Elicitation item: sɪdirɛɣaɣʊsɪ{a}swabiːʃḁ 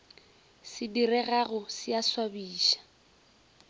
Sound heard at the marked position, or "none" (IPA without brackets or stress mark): a